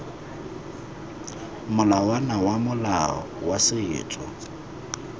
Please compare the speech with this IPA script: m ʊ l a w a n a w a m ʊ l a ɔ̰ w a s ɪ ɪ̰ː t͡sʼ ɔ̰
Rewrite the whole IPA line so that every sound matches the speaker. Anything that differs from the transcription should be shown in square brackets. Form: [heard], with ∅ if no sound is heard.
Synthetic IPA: m ʊ l a w a n a w a m ʊ l a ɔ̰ w a s ɪ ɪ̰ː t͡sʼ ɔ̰